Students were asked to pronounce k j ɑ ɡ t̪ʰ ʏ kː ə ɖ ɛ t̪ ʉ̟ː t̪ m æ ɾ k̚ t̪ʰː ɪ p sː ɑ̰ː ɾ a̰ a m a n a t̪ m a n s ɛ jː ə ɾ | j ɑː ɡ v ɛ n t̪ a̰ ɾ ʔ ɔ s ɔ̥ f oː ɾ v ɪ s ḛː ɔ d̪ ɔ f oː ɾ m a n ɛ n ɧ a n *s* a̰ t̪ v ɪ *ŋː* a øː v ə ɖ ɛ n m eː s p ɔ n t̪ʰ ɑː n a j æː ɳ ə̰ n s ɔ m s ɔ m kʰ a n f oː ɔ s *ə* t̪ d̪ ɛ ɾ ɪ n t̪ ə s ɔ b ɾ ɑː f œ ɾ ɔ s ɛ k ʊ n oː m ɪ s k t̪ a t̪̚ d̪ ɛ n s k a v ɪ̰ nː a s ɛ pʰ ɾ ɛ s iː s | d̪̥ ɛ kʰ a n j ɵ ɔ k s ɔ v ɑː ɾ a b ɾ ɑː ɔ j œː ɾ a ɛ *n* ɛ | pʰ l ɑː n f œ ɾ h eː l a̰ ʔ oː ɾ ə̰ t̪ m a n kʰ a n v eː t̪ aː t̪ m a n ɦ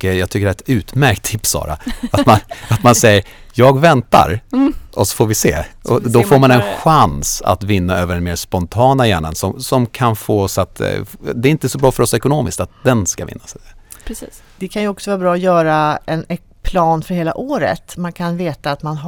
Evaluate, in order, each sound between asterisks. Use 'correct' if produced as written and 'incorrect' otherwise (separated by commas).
correct, incorrect, incorrect, correct